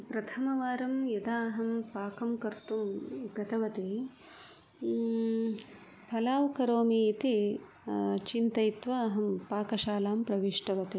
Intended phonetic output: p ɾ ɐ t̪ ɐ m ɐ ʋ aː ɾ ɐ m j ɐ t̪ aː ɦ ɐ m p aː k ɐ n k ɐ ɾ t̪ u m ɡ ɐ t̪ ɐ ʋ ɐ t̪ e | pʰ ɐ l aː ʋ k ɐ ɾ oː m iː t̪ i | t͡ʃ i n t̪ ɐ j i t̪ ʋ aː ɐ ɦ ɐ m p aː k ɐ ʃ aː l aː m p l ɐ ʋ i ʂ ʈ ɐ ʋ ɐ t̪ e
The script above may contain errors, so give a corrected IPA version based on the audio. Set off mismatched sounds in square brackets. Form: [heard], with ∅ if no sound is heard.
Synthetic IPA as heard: p ɾ ɐ [t̪ʰ] ɐ m ɐ ʋ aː ɾ ɐ m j ɐ [d̪] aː ɦ ɐ m p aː k ɐ [m] k ɐ ɾ t̪ u m ɡ ɐ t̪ ɐ ʋ ɐ t̪ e | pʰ ɐ l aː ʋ k ɐ ɾ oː m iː t̪ i | t͡ʃ i n t̪ ɐ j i t̪ ʋ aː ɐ ɦ ɐ m p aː k ɐ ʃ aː l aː m p [ɾ] ɐ ʋ i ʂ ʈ ɐ ʋ ɐ t̪ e